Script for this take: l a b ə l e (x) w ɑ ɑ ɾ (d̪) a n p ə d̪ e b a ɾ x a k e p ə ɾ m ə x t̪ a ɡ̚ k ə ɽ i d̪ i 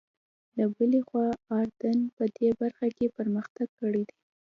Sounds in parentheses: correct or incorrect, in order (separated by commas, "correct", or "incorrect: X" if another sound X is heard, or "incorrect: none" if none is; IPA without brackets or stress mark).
correct, correct